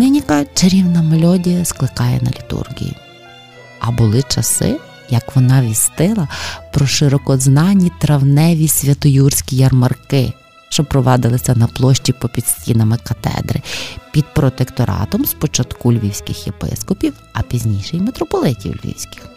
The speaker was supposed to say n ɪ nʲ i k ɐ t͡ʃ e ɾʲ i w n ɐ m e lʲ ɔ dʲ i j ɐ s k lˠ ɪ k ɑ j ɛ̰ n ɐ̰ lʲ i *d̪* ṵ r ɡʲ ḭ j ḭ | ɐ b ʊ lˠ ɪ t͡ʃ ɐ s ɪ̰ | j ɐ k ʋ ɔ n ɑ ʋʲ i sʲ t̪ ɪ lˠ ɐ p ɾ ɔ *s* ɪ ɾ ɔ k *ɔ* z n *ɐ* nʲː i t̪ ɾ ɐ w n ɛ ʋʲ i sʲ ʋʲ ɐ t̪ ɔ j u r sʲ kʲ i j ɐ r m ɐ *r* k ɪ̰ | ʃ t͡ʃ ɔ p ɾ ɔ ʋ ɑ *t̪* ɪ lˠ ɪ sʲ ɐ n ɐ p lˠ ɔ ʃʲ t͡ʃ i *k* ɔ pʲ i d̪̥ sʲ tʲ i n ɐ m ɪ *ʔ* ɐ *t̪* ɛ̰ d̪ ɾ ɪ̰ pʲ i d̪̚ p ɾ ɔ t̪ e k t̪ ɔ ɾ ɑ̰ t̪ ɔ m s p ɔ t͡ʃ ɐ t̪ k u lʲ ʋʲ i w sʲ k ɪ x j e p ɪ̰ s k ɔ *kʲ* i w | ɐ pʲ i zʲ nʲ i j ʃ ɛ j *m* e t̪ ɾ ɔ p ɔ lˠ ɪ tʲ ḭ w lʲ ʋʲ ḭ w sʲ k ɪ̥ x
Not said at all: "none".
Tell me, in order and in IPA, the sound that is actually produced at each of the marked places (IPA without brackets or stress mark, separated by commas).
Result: t̪, ʃ, ɔ, ɑ, r, d̪, p, k, t̪, pʲ, m